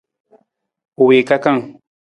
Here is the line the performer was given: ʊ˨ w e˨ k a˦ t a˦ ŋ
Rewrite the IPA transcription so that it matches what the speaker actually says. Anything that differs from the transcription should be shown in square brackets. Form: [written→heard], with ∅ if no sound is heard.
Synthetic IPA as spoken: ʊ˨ w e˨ k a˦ [t→k] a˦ ŋ